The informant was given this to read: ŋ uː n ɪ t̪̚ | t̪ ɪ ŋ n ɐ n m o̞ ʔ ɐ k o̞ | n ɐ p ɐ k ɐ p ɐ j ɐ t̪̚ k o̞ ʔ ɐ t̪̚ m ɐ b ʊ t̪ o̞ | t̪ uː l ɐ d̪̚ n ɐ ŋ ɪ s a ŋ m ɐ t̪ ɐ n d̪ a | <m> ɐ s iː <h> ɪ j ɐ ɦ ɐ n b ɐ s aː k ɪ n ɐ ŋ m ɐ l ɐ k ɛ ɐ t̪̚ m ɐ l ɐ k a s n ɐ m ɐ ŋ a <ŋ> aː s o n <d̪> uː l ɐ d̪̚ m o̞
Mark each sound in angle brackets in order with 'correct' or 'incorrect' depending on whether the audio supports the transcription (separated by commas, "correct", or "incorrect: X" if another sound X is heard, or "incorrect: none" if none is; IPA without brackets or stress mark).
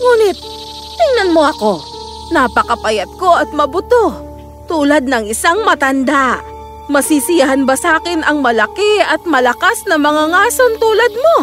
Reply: correct, incorrect: s, correct, incorrect: t̪